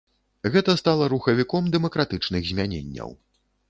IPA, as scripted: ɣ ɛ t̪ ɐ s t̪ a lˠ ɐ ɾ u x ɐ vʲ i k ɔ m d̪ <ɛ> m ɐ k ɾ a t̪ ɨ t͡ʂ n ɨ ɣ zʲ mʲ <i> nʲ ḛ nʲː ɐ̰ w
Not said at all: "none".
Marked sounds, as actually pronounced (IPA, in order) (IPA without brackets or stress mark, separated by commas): ɛ, a